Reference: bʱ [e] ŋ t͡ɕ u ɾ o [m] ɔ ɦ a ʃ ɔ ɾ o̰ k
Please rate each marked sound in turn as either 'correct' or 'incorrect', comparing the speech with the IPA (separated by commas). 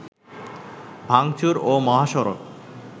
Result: incorrect, correct